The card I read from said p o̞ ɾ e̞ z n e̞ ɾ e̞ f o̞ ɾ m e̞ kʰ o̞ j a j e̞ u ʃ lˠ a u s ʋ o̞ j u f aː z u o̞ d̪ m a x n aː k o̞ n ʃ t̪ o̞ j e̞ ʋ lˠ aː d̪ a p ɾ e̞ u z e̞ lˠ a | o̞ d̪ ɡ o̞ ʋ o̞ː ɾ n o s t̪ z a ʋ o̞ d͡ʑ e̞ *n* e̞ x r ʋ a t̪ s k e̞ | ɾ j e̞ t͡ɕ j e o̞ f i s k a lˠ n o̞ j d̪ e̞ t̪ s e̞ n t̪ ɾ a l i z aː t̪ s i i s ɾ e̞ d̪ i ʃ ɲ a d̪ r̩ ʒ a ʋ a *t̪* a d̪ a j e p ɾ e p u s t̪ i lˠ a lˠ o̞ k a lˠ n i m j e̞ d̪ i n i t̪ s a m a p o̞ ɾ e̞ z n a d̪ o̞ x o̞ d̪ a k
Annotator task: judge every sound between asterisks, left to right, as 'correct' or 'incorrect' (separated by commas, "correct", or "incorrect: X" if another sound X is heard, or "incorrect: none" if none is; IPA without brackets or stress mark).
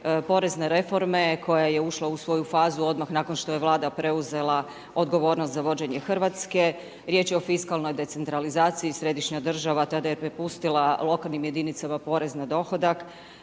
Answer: incorrect: ɲ, correct